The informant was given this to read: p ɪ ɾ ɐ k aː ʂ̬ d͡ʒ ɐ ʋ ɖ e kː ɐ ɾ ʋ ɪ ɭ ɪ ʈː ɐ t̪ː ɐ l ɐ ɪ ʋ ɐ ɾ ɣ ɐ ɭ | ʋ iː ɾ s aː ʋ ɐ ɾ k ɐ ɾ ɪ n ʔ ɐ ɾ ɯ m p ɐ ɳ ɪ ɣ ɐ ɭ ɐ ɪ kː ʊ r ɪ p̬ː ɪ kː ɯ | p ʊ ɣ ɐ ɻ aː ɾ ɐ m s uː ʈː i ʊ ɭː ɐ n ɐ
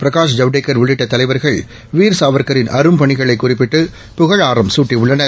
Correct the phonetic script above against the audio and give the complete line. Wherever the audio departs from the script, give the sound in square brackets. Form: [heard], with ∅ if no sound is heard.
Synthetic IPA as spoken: p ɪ ɾ ɐ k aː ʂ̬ d͡ʒ ɐ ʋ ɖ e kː ɐ ɾ ʋ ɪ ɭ ɪ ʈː ɐ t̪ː ɐ l ɐ ɪ ʋ ɐ ɾ ɣ ɐ ɭ | ʋ iː ɾ s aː ʋ ɐ ɾ k ɐ ɾ ɪ n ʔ ɐ ɾ ɯ m p ɐ ɳ ɪ ɣ ɐ ɭ ɐ ɪ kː ʊ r ɪ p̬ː ɪ [ʈː] ɯ | p ʊ ɣ ɐ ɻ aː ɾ ɐ m s uː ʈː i ʊ ɭː ɐ n ɐ